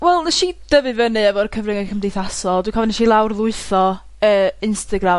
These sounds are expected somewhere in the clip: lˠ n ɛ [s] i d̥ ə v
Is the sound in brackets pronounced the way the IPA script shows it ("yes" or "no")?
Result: no